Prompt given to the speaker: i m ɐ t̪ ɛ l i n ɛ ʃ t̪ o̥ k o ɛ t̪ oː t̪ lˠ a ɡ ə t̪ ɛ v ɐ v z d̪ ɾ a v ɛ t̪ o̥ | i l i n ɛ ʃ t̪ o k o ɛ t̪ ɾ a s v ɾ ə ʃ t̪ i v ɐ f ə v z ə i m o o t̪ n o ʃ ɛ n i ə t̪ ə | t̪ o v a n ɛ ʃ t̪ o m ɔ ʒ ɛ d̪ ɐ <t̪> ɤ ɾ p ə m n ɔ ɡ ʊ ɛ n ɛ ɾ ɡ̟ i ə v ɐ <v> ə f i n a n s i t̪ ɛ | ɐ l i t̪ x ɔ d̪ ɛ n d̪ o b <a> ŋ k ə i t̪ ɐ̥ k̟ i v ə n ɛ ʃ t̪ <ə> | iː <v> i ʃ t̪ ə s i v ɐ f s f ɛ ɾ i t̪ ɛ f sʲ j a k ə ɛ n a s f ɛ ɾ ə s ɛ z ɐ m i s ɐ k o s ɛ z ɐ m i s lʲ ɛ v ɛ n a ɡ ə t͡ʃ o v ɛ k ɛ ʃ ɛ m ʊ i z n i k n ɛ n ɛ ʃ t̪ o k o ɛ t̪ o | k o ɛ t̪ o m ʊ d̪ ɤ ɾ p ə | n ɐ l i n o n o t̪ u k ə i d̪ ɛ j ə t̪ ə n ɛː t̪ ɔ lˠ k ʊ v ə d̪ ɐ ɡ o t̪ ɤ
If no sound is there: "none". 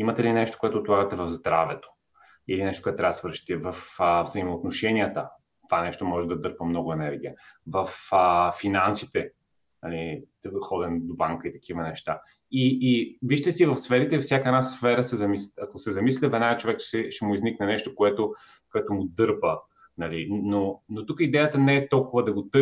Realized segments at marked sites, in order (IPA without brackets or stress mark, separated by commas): d̪, f, a, a, v